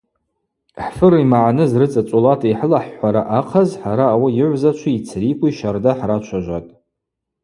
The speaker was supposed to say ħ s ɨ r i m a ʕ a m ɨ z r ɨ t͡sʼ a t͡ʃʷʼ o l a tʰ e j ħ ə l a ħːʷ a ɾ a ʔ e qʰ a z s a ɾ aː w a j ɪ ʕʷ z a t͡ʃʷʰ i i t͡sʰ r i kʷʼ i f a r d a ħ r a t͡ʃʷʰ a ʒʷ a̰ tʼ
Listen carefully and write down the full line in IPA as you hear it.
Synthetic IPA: ħ f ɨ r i m a ʕ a n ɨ z r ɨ t͡sʼ a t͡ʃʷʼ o l a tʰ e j ħ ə l a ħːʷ a ɾ a ʔ a qʰ a z ħ a ɾ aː w a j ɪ ʕʷ z a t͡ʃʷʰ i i t͡sʰ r i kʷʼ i ʃ a r d a ħ r a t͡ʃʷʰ a ʒʷ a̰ tʼ